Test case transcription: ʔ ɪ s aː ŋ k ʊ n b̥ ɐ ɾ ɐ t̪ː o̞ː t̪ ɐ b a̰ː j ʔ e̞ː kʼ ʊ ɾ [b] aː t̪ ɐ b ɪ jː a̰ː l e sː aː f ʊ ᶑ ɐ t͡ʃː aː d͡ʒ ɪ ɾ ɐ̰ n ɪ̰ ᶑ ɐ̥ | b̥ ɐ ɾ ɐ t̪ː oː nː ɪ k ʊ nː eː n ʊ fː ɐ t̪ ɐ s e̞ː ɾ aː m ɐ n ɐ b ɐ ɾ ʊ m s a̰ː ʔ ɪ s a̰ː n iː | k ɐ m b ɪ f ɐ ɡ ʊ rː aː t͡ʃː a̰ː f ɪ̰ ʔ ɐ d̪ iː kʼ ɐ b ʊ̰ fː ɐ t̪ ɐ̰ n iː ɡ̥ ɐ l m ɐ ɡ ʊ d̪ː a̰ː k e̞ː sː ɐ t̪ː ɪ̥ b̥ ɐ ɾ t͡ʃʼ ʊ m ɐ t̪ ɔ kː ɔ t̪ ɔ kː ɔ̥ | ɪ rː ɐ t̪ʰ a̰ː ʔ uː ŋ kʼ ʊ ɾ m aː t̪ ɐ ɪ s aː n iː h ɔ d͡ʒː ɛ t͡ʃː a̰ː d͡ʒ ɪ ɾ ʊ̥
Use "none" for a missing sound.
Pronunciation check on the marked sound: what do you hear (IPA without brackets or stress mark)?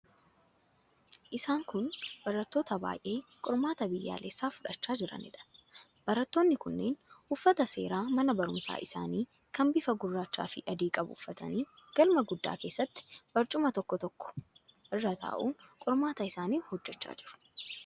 m